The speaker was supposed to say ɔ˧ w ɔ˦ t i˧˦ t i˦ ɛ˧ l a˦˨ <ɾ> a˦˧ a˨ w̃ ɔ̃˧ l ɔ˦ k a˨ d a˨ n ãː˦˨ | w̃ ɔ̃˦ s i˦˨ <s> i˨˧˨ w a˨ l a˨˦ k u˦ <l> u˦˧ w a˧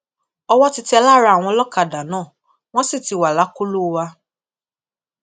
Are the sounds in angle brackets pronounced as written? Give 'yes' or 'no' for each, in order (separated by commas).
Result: yes, no, yes